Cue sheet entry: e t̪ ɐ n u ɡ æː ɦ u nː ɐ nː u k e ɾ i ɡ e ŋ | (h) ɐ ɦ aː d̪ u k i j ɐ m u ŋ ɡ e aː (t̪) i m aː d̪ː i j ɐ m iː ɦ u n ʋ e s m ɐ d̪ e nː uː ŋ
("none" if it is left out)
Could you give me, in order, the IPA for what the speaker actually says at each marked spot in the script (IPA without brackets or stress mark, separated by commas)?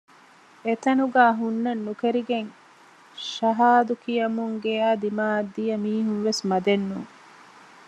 ʃ, d̪